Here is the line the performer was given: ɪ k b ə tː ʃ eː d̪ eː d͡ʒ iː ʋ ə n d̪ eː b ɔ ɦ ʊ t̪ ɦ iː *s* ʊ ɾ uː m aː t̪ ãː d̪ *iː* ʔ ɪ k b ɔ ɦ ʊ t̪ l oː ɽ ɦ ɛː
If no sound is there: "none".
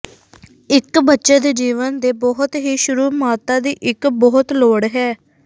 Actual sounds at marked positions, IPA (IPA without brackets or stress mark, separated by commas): ʃ, iː